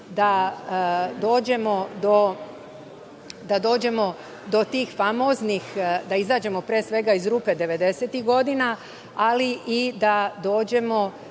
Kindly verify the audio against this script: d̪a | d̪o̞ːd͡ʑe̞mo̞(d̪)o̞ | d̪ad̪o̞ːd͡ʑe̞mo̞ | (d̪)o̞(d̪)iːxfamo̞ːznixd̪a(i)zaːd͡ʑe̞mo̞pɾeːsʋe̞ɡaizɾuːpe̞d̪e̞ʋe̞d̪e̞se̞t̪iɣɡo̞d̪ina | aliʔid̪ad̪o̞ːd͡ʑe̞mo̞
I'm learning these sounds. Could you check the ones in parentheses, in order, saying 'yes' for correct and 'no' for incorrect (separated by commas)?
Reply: yes, yes, no, yes